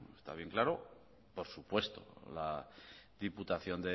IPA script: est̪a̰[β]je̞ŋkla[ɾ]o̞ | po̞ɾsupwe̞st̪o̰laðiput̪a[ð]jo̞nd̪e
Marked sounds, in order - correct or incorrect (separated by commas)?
correct, correct, incorrect